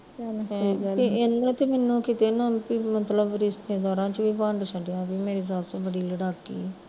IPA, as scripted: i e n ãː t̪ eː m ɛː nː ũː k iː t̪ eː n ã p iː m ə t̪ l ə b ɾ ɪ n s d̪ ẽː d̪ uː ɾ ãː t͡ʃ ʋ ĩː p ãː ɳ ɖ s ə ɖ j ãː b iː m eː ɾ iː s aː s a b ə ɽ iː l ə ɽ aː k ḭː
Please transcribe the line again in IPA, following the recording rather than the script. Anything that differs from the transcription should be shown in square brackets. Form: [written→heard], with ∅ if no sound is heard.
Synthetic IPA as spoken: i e n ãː t̪ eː m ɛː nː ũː k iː t̪ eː n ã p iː m ə t̪ l ə b ɾ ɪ [n→∅] s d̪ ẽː d̪ [uː→ɔː] ɾ ãː t͡ʃ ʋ [ĩː→iː] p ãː ɳ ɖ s ə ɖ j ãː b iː m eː ɾ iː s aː s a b ə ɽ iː l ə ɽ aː k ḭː